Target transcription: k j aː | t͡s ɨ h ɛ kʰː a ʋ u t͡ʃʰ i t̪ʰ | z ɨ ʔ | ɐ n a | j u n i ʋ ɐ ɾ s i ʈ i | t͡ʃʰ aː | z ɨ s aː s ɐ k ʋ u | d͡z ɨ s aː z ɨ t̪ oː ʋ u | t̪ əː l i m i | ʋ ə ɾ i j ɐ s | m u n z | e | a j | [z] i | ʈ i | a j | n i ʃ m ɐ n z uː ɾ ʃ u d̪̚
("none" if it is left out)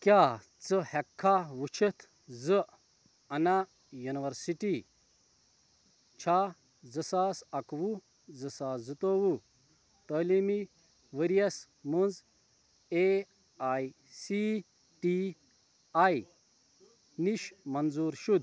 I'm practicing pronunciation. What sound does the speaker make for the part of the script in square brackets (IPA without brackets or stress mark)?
s